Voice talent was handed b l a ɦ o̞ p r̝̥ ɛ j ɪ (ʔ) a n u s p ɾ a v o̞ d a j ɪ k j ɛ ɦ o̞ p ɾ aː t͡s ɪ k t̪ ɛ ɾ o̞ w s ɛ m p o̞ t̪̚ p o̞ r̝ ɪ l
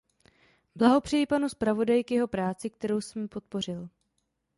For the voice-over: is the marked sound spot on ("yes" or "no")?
no